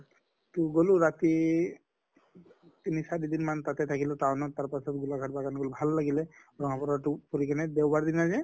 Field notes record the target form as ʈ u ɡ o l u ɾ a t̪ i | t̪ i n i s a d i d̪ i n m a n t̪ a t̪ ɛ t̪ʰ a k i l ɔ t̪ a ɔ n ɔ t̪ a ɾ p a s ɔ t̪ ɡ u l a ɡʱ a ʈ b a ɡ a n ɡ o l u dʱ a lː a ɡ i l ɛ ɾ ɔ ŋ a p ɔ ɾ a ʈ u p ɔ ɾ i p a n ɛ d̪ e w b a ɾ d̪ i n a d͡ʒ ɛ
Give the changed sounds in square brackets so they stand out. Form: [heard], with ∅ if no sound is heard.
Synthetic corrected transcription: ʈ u ɡ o l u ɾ a t̪ i | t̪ i n i s a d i d̪ i n m a n t̪ a t̪ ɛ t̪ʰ a k i l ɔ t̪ a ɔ n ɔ t̪ a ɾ p a s ɔ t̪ ɡ u l a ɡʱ a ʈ b a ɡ a n ɡ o l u [bʱ] a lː a ɡ i l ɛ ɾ ɔ ŋ a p ɔ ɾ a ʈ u p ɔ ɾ i [k] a n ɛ d̪ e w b a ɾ d̪ i n a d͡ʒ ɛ